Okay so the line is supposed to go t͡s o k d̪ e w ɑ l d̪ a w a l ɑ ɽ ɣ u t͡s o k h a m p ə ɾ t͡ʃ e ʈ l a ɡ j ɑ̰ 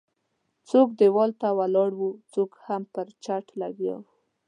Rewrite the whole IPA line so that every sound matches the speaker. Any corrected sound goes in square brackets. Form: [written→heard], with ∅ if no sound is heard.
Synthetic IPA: t͡s o k d̪ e w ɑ l [d̪→t̪] a w a l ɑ ɽ [ɣ→w] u t͡s o k h a m p ə ɾ t͡ʃ [e→a] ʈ l a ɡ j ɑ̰